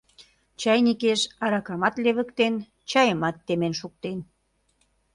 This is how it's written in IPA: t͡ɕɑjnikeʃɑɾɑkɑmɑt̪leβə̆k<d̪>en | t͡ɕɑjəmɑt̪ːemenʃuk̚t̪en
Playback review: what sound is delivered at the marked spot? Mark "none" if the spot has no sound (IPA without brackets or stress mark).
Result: t̪